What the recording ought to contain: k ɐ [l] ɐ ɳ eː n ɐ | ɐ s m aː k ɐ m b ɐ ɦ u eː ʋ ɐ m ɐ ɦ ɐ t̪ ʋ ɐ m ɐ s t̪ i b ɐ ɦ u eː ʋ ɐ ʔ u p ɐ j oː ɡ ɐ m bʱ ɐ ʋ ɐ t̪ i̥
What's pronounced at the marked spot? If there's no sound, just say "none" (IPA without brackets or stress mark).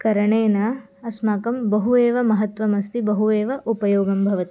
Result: ɾ